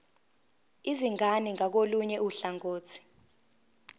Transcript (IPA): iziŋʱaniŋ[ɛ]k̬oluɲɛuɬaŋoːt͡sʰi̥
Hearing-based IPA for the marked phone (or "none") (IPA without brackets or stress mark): a